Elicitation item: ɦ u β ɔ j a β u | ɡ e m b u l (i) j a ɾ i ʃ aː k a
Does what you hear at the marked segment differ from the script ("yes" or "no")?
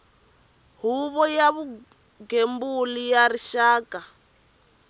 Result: no